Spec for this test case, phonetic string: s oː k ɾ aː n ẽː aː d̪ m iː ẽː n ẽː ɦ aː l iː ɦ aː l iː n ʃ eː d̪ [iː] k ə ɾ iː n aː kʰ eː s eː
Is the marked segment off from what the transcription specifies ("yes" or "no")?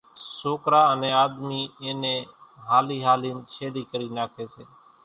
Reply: no